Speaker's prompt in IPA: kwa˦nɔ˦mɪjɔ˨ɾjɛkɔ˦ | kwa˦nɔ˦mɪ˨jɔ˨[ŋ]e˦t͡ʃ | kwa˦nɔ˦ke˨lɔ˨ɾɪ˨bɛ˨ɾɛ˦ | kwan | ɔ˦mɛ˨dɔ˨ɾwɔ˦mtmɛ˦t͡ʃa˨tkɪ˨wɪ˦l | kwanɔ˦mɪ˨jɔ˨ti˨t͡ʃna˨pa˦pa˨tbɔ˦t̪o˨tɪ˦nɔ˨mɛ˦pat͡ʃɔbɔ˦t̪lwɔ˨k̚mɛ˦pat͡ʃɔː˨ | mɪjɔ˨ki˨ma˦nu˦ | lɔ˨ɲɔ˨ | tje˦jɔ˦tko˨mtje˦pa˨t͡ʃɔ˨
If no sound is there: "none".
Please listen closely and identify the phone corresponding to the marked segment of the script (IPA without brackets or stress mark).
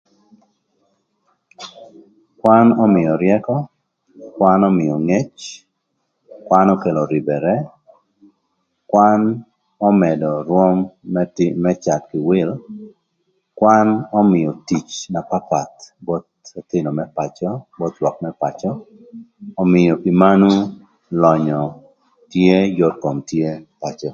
ŋ